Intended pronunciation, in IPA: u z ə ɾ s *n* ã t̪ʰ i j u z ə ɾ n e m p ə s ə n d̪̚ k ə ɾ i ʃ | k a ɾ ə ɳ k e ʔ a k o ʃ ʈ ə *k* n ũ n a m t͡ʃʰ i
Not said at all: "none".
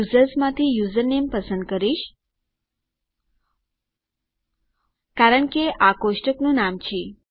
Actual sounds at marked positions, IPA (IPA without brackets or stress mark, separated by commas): m, k